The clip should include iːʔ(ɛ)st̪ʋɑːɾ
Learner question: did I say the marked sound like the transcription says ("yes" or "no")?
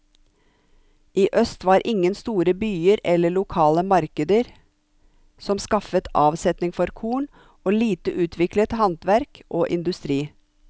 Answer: no